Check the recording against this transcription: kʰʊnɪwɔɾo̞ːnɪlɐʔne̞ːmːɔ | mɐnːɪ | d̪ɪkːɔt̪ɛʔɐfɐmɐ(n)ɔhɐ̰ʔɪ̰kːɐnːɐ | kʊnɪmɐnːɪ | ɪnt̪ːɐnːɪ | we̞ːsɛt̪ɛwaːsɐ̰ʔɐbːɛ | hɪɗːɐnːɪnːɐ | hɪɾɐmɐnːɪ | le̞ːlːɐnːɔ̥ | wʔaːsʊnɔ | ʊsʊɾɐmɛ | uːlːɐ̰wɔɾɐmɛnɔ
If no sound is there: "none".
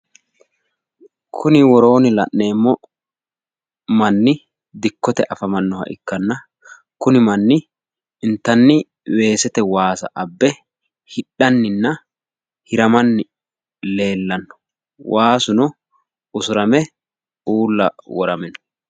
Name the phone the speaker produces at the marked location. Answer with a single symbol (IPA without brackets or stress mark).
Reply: nː